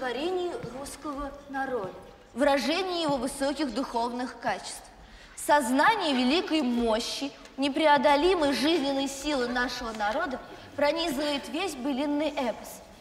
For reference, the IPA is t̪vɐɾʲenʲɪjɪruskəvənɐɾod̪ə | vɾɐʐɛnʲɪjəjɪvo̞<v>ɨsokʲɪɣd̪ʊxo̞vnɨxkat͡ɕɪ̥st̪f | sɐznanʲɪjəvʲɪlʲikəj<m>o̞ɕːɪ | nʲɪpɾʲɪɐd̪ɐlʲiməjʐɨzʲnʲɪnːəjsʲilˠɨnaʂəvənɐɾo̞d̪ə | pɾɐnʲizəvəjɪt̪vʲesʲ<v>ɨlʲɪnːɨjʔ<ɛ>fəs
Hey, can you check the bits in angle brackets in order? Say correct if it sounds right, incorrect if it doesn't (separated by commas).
correct, correct, incorrect, correct